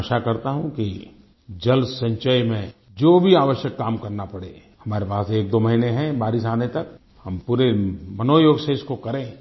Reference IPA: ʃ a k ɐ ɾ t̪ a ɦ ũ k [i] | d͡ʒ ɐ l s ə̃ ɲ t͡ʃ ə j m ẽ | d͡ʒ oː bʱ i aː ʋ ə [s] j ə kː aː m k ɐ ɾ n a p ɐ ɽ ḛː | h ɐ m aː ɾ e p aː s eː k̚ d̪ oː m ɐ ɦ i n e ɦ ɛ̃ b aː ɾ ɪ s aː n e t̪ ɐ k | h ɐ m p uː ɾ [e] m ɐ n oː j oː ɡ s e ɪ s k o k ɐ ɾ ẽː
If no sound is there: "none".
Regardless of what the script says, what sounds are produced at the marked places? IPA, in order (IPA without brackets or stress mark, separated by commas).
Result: i, ʃ, e